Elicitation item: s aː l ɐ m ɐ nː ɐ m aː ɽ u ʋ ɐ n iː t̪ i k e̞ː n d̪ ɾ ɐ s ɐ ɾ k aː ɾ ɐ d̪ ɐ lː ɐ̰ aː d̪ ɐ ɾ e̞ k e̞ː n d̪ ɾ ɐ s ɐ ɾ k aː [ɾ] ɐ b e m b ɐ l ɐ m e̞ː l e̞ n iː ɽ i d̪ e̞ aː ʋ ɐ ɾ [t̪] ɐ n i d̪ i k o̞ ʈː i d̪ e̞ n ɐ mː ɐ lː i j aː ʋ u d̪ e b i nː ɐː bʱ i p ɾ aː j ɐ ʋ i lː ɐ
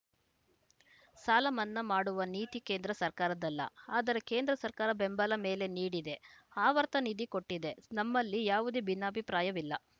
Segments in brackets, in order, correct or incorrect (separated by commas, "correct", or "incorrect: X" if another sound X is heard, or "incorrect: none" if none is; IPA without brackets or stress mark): correct, correct